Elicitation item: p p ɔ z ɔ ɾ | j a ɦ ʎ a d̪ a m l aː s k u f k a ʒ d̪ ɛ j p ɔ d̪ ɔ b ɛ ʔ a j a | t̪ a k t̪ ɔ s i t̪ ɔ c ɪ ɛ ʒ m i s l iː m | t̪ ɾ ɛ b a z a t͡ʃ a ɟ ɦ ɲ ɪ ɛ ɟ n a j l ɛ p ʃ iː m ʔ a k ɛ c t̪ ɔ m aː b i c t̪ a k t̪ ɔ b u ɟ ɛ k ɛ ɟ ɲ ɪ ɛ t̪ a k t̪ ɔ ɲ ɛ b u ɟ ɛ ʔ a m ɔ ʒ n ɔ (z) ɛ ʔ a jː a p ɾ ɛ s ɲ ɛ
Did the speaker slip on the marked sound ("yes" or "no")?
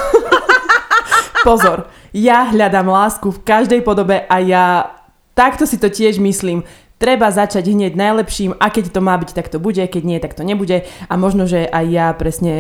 yes